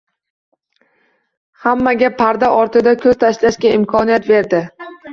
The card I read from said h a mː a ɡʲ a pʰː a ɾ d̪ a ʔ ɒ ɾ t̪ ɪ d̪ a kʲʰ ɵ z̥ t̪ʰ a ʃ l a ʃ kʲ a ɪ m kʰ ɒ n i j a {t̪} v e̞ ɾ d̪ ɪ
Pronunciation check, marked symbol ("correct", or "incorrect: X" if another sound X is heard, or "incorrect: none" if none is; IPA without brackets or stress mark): correct